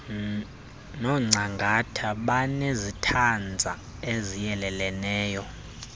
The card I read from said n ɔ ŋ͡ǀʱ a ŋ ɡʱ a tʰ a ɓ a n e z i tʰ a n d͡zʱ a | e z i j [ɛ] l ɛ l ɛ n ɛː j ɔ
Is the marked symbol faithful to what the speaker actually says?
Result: yes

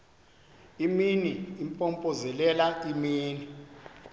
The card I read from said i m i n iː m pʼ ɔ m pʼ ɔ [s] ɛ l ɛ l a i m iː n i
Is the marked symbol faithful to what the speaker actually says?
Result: no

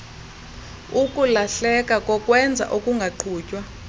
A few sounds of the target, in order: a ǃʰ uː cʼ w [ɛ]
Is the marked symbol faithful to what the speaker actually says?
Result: no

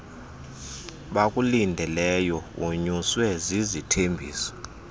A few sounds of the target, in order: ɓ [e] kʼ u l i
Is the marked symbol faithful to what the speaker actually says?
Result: no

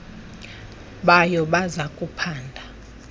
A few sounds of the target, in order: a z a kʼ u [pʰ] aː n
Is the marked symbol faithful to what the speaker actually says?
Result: yes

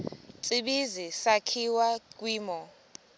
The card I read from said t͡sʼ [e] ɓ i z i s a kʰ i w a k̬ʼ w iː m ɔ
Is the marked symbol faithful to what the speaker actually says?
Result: no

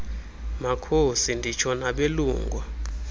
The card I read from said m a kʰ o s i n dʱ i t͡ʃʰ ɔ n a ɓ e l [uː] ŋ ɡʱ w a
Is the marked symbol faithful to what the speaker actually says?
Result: yes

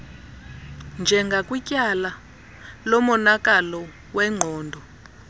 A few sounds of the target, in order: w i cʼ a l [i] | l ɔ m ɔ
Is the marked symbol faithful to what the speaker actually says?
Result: no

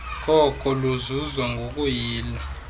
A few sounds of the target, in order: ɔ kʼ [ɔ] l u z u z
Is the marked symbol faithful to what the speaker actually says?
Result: yes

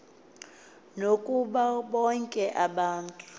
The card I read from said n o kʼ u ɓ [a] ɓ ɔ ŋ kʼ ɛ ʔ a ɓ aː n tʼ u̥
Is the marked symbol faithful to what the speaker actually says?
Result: yes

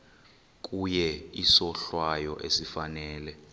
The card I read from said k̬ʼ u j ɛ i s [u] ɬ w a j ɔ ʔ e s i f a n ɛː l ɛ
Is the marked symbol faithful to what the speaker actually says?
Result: no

